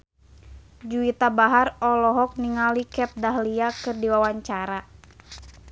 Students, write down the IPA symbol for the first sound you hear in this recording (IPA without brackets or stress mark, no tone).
d͡ʒ